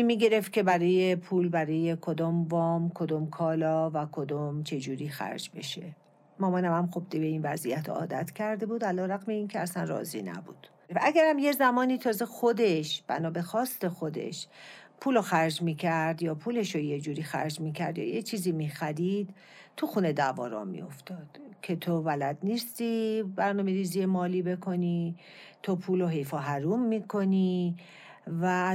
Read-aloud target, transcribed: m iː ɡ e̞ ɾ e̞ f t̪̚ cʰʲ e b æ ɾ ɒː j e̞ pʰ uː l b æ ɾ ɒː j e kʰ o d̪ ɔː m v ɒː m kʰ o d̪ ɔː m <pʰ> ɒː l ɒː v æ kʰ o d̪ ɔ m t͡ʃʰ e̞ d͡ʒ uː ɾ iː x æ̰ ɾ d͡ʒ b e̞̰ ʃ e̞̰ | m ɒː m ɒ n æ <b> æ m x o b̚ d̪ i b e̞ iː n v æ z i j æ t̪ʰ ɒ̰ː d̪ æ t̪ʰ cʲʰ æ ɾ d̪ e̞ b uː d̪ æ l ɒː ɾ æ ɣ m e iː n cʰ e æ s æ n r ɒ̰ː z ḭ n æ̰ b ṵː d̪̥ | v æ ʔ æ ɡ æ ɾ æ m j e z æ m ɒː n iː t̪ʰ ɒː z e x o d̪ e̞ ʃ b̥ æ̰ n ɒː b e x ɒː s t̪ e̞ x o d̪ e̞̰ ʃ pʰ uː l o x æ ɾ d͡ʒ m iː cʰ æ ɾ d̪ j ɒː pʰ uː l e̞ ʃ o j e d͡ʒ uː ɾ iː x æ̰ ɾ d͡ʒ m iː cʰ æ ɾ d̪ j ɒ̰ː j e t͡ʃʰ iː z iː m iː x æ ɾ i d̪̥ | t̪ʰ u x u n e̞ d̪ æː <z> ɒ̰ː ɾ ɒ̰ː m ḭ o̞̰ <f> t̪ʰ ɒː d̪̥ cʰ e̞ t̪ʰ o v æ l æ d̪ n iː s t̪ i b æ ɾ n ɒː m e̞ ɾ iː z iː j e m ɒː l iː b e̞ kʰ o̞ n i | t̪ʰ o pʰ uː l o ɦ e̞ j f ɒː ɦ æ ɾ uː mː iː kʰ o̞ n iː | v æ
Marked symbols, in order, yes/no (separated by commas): no, no, no, yes